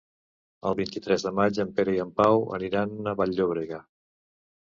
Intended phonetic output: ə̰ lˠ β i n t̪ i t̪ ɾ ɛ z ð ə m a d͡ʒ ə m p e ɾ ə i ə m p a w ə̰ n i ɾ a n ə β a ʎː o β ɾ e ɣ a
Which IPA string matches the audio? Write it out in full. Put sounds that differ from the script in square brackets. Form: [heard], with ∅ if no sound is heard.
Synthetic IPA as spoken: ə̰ lˠ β i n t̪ i t̪ ɾ ɛ z ð ə m a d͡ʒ ə m p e ɾ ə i ə m p a w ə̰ n i ɾ a n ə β a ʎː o β ɾ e ɣ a